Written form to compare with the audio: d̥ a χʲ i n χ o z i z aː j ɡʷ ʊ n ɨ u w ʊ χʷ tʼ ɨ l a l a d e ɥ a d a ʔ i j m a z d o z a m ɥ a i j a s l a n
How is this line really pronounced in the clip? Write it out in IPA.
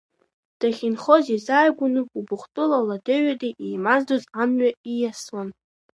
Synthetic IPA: d̥ a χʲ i n χ o z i z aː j ɡʷ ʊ n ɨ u b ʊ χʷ tʼ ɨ l a l a d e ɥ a d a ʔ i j m a z d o z a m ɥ a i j a s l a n